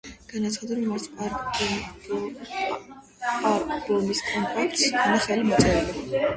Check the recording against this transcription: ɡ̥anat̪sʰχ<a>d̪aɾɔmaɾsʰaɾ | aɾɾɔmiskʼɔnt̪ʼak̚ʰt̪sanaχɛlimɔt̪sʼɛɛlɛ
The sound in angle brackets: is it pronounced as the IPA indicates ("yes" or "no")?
yes